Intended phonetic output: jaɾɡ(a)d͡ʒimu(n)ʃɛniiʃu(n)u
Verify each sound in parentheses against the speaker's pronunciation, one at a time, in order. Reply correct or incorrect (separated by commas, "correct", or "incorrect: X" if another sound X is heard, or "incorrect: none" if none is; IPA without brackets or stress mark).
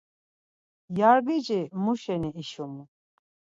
incorrect: i, incorrect: none, incorrect: m